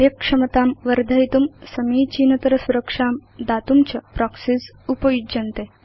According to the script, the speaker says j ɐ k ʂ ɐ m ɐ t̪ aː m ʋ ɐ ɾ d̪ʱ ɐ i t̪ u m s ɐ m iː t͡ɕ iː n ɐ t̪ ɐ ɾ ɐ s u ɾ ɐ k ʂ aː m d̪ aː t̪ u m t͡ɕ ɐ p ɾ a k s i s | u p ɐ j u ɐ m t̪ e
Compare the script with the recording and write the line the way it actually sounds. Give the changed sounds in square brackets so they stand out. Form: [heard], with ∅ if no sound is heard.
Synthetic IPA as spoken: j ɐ k ʂ ɐ m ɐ t̪ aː m ʋ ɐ ɾ d̪ʱ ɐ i t̪ u m s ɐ m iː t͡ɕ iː n ɐ t̪ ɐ ɾ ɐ s u ɾ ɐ k ʂ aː m d̪ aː t̪ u m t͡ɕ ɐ p ɾ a k s i s | u p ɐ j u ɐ [n] t̪ e